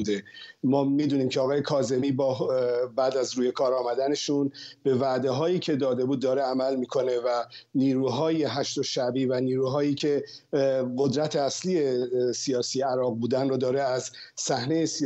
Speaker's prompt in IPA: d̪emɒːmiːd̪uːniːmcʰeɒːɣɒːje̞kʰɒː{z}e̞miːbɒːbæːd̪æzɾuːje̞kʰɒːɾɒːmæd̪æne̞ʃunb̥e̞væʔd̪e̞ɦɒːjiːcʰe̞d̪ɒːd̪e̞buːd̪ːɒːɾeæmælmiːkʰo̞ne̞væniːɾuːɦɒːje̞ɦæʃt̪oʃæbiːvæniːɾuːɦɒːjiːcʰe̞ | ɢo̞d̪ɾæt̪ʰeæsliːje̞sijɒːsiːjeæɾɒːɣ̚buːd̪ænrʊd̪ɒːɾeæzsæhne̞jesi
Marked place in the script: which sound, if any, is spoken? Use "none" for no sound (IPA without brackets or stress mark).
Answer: z